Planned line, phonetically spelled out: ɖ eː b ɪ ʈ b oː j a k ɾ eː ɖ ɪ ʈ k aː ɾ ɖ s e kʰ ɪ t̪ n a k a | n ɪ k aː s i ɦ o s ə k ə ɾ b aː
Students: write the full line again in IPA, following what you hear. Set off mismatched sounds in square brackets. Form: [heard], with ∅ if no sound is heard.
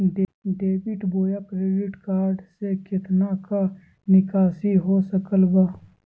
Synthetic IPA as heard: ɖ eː b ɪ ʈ b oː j a k ɾ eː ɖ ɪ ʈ k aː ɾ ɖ s e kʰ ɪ t̪ n a k a | n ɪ k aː s i ɦ o s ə k ə [l] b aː